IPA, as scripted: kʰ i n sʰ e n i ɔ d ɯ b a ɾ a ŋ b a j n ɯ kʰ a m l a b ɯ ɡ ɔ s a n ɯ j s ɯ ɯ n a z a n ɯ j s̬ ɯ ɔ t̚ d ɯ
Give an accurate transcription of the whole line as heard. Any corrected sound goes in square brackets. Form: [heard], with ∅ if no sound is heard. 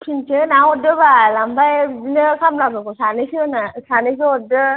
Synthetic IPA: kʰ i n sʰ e n [a] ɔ d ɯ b a [l] a [m] b a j n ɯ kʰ a m l a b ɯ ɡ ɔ s a n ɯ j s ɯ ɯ n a [s] a n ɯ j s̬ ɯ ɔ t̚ d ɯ